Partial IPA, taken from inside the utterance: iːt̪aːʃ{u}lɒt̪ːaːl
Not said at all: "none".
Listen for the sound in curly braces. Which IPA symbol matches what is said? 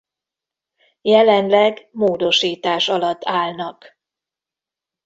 ɒ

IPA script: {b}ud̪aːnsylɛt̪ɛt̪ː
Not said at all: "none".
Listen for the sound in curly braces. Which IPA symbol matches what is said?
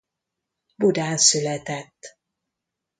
b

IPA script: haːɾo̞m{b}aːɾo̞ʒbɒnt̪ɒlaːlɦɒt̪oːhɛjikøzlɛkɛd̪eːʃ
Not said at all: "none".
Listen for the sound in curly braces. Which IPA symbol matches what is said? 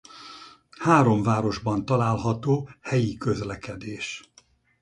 v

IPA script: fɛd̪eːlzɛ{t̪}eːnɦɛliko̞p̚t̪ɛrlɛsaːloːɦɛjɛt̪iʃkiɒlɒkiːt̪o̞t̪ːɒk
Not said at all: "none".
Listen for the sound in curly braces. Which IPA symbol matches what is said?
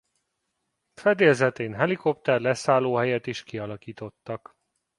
t̪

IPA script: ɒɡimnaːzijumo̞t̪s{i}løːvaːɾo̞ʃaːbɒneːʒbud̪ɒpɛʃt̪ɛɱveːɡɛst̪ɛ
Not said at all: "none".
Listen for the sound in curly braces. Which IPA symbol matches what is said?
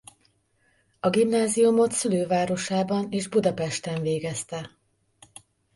y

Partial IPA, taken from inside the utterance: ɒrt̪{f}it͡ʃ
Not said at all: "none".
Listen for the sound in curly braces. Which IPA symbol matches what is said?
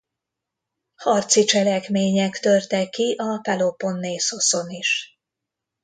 s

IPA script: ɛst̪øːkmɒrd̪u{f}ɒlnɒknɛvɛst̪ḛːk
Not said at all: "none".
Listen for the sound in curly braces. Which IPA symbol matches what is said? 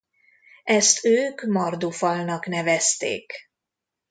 f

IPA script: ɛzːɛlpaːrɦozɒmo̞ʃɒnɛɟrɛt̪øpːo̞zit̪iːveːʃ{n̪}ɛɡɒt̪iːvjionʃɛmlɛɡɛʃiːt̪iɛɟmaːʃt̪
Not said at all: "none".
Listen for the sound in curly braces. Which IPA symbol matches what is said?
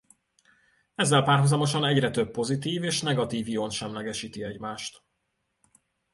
n̪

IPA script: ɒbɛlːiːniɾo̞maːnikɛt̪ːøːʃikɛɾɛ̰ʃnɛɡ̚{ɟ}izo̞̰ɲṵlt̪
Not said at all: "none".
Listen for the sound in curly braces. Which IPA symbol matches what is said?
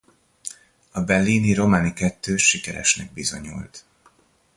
b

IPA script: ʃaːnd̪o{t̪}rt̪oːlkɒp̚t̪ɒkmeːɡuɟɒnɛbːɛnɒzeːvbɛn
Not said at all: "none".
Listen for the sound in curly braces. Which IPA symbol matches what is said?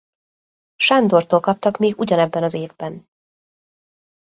none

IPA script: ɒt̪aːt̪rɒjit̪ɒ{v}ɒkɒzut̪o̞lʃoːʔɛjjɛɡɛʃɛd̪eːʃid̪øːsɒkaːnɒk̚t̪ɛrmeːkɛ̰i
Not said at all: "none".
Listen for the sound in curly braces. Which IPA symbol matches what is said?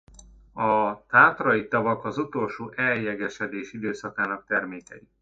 v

